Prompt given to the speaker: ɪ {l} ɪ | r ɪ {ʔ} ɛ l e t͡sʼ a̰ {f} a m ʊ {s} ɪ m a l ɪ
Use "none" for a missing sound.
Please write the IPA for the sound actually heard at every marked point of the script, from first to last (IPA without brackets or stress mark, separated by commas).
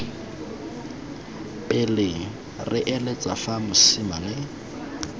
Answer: l, ʔ, f, s